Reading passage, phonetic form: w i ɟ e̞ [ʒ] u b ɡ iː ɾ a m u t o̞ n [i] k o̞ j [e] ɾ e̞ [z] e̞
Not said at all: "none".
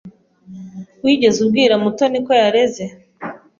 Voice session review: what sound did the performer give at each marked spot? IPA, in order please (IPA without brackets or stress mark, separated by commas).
z, i, a, z